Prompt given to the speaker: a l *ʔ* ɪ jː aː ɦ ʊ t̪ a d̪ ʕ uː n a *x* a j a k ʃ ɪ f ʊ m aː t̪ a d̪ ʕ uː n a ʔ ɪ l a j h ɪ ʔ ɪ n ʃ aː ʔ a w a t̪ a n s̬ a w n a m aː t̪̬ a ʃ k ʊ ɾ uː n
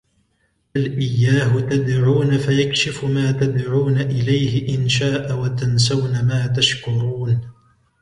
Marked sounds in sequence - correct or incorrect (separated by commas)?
correct, incorrect